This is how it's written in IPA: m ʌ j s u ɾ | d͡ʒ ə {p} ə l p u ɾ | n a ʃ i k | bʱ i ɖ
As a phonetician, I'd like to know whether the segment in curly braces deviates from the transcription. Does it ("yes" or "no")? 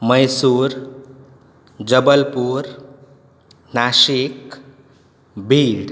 yes